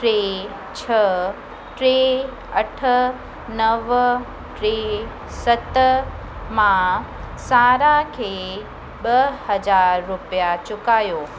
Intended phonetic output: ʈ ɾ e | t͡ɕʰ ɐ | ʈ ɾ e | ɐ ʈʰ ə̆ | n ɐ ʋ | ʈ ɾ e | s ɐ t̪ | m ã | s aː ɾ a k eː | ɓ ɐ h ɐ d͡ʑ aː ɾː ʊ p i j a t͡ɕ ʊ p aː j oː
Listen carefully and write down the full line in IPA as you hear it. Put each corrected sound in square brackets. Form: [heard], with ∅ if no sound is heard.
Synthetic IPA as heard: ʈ ɾ e | t͡ɕʰ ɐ | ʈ ɾ e | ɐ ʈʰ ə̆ | n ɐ ʋ | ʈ ɾ e | s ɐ t̪ | m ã | s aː ɾ a [kʰ] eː | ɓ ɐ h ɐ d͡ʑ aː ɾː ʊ p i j a t͡ɕ ʊ [k] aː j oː